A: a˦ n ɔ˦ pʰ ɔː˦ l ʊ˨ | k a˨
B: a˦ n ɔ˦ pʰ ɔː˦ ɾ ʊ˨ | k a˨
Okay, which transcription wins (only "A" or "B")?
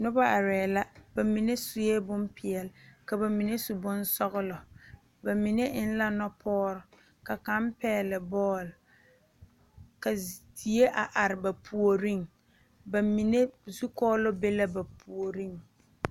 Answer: B